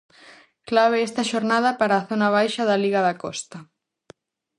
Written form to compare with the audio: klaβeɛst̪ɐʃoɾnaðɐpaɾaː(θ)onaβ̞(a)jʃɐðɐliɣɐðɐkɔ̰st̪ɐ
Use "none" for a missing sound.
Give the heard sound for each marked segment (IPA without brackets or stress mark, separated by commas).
θ, a